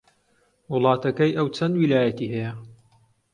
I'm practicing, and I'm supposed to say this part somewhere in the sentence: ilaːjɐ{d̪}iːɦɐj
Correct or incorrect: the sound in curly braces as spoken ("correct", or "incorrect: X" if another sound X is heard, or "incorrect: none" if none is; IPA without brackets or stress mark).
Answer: incorrect: t̪